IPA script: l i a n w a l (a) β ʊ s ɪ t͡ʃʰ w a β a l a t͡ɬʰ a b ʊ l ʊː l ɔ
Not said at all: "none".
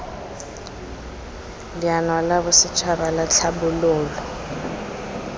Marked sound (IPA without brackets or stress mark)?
a